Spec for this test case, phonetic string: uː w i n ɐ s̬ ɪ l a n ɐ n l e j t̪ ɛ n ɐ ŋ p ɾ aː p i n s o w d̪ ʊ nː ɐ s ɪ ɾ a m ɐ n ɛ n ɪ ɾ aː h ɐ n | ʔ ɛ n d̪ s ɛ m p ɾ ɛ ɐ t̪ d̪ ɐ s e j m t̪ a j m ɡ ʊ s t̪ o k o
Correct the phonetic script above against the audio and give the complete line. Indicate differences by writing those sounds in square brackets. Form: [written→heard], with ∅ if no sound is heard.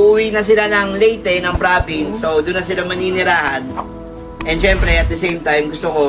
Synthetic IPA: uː w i n ɐ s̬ ɪ l a n ɐ [n→ŋ] l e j t̪ ɛ n ɐ ŋ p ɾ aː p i n s o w d̪ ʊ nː ɐ s ɪ [ɾ→l] a m ɐ n [ɛ→i] n ɪ ɾ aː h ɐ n | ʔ ɛ n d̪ [s→ʃ] ɛ m p ɾ ɛ ɐ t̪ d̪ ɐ s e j m t̪ a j m ɡ ʊ s t̪ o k o